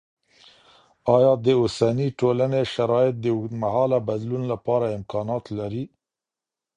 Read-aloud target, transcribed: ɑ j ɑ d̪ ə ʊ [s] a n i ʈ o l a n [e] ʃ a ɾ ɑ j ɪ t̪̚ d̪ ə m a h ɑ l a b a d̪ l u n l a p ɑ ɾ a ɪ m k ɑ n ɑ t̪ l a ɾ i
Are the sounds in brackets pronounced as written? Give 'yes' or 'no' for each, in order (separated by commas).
yes, yes